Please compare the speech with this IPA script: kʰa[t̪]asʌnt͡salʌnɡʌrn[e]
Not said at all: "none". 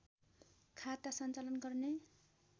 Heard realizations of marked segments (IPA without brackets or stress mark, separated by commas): t̪, e